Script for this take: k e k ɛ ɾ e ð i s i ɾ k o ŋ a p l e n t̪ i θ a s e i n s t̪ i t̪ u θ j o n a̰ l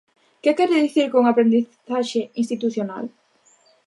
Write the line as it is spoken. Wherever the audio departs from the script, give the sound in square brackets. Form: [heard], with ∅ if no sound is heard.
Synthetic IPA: k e k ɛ ɾ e ð i [θ] i ɾ k o ŋ a p [ɾ] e n [d̪] i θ a [ʃ] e i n s t̪ i t̪ u θ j o n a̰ l